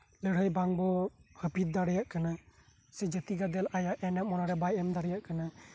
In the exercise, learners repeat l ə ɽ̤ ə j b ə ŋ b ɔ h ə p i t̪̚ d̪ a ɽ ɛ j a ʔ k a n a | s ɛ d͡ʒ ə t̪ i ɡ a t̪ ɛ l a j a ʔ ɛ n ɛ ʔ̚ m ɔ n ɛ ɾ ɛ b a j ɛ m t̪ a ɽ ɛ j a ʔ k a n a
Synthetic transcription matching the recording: l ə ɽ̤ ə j b a ŋ b ɔ h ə p i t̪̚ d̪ a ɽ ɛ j a ʔ k a n a | s ɛ d͡ʒ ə t̪ i ɡ a d̪ ɛ l a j a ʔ ɛ n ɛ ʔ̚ m ɔ n a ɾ ɛ b a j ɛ m d̪ a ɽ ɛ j a ʔ k a n a